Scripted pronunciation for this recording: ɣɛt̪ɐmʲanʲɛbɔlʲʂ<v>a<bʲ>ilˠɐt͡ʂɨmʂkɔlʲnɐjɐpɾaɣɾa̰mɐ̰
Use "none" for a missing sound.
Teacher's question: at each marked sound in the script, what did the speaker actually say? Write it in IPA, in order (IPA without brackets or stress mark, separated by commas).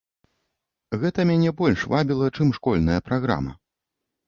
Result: v, bʲ